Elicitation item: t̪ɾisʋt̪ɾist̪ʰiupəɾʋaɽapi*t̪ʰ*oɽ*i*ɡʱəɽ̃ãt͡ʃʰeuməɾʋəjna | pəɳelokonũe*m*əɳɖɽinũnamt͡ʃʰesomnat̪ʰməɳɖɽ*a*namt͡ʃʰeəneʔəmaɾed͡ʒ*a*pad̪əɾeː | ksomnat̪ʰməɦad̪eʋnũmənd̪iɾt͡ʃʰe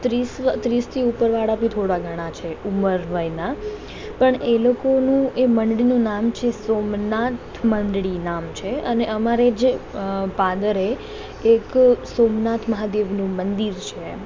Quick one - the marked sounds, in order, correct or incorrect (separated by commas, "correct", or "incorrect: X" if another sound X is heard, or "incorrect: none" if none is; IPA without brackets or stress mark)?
correct, incorrect: a, correct, incorrect: i, incorrect: e